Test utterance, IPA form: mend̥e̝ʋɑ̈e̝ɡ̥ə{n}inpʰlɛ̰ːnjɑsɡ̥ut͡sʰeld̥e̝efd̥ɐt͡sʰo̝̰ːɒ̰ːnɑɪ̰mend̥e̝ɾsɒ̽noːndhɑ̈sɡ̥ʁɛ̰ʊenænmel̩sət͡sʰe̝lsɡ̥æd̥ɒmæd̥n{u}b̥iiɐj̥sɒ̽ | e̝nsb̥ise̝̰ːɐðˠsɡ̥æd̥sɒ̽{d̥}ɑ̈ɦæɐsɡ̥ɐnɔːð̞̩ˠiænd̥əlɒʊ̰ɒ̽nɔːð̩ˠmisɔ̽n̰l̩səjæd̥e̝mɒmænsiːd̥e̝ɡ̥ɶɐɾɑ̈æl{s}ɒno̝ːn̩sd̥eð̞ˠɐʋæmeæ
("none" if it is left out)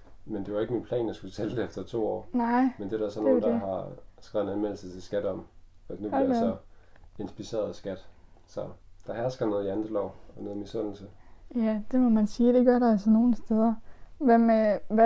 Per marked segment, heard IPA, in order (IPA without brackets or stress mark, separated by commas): m, u, d̥, s